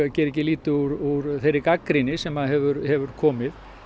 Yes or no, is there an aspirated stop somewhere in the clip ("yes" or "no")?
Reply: yes